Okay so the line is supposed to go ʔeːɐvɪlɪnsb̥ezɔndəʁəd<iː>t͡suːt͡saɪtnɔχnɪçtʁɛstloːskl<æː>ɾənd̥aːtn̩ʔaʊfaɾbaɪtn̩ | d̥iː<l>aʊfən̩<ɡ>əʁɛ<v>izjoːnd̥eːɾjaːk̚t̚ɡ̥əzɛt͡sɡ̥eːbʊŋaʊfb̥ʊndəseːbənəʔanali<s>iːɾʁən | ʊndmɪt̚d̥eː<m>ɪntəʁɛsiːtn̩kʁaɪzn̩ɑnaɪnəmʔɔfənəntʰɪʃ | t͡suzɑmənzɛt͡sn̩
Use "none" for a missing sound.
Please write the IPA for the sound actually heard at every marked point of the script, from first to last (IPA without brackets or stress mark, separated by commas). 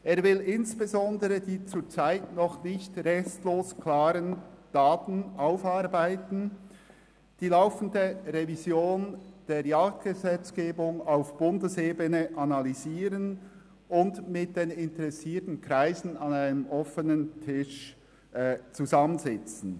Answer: iː, aː, l, d, v, z, n